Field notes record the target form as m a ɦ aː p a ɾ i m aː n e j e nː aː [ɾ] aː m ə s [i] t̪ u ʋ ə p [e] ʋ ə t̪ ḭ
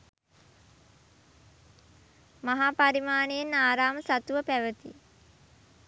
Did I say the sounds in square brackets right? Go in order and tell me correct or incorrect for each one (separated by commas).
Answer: correct, incorrect, incorrect